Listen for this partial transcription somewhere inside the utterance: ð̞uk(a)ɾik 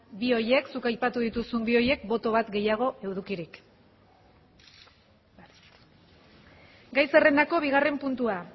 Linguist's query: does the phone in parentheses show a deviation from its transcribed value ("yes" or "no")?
yes